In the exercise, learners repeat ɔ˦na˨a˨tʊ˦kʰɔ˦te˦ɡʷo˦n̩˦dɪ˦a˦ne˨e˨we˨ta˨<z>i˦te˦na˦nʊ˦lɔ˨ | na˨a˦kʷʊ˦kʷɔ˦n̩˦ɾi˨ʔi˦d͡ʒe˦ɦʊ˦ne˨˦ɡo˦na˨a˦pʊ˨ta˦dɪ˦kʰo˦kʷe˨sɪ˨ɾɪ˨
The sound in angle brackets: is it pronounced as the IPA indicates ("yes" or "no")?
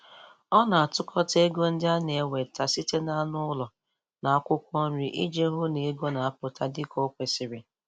no